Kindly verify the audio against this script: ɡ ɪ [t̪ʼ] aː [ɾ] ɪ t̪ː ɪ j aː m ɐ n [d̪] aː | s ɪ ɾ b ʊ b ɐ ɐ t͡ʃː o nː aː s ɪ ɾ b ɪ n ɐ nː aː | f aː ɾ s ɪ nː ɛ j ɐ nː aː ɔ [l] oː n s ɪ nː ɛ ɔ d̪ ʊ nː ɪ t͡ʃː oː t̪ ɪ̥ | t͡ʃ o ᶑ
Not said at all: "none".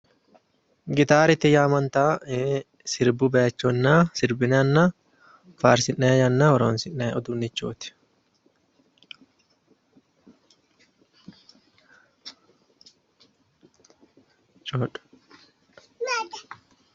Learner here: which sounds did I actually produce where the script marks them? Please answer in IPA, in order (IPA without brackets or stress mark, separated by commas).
t̪, ɾ, t̪, ɾ